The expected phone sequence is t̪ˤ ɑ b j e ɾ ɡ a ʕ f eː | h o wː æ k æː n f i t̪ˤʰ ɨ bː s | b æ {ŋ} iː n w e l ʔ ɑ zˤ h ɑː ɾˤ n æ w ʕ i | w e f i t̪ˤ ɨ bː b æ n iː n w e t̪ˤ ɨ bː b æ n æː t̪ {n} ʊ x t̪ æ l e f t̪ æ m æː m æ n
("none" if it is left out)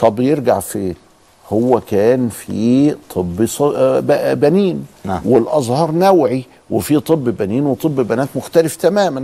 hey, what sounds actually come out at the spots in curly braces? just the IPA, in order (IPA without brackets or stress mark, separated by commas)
n, m